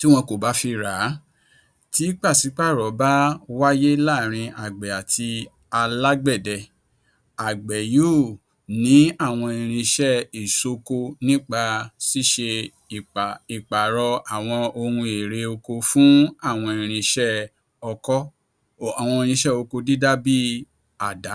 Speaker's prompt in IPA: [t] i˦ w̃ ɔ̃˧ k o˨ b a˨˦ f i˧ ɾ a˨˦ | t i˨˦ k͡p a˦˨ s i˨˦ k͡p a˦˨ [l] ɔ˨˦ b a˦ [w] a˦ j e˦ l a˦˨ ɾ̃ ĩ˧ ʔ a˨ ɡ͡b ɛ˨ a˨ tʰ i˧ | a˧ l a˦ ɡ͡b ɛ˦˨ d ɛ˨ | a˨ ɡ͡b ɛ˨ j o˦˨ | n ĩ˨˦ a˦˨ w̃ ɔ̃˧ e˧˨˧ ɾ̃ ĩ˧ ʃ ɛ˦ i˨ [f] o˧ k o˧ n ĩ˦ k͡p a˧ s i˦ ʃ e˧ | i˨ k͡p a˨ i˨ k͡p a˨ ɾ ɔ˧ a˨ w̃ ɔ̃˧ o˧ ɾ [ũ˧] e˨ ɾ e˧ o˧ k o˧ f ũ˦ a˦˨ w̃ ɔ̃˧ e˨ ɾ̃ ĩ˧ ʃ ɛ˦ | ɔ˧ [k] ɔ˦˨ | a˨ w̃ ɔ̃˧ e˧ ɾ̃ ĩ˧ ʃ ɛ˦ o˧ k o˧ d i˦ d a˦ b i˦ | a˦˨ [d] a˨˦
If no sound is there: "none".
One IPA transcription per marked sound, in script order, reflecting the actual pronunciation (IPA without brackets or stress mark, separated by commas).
t, ɾ, w, s, ũ˧, k, d